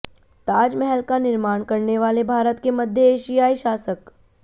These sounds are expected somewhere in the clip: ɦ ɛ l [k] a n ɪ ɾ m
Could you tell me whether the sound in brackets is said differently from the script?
no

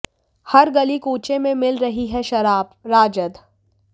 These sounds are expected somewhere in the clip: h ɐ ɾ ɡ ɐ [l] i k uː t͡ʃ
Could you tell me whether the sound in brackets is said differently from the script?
no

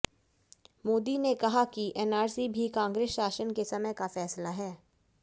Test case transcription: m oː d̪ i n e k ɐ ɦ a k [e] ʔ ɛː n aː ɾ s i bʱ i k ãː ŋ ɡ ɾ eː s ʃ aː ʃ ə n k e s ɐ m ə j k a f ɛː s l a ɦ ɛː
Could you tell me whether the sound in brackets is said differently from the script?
yes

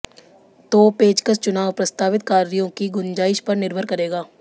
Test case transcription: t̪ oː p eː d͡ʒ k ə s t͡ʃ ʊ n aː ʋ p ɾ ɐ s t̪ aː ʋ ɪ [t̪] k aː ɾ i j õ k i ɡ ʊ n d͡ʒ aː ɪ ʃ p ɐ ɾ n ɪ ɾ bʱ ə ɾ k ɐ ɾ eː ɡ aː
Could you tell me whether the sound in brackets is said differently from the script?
no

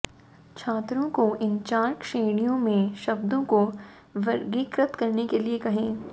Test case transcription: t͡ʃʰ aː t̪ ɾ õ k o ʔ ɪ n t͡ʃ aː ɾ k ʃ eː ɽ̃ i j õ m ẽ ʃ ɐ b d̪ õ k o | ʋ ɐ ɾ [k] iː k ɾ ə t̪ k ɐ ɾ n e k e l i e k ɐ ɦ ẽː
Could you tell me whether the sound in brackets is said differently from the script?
yes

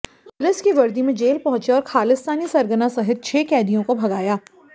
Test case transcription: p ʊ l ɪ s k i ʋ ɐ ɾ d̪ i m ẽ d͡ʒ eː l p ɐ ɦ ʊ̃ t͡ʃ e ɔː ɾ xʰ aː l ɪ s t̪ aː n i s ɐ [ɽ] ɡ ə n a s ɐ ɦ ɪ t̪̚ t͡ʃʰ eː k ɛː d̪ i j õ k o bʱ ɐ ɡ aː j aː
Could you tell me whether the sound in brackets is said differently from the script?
yes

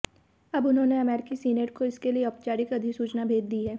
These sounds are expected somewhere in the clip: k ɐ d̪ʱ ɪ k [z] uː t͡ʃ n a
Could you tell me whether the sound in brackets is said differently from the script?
yes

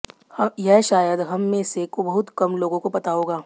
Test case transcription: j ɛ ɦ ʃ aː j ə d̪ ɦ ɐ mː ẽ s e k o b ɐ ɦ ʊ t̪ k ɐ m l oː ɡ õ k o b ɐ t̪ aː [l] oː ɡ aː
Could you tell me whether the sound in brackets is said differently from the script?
yes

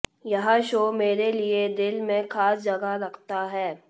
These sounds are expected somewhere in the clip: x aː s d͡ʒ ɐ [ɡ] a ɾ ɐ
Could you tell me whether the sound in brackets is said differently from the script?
no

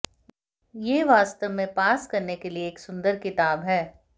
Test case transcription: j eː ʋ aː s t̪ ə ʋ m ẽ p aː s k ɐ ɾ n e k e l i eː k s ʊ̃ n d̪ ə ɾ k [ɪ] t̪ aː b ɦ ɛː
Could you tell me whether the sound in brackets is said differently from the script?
no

